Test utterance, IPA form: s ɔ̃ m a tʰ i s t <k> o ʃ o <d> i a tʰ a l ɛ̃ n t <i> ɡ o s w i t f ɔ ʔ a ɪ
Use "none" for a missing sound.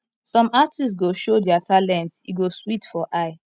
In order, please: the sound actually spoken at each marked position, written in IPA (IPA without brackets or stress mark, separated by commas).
ɡ, d, i